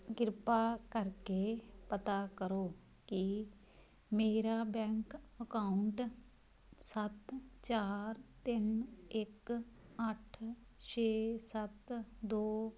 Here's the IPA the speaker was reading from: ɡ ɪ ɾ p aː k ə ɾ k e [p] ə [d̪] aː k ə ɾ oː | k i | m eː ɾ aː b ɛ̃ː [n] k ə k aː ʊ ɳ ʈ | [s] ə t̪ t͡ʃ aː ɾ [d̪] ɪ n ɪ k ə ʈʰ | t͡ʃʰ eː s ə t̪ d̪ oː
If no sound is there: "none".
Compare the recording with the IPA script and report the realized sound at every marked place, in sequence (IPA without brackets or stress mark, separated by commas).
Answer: p, t̪, ŋ, s, t̪